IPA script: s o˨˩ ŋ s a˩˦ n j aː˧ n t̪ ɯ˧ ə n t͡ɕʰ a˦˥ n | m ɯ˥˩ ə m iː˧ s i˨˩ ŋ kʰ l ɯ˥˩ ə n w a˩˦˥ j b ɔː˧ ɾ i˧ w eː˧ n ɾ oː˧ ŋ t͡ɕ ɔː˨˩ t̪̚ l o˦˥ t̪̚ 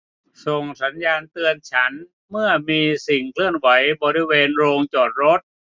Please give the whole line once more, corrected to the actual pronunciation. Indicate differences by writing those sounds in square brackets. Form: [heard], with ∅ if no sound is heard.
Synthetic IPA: s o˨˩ ŋ s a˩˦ n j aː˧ n t̪ ɯ˧ ə n t͡ɕʰ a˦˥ n | m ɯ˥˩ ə m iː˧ s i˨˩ ŋ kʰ l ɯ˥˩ ə n w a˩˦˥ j b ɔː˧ ɾ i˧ w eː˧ n ɾ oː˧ ŋ t͡ɕ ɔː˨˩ t̪̚ [ɾ] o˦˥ t̪̚